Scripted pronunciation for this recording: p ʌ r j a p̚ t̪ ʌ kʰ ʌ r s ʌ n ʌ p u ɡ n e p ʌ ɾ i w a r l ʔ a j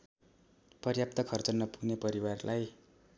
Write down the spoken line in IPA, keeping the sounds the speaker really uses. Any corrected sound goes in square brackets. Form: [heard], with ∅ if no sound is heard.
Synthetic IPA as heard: p ʌ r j a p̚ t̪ ʌ kʰ ʌ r [t͡s] ʌ n ʌ p u ɡ n e p ʌ ɾ i w a r l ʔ a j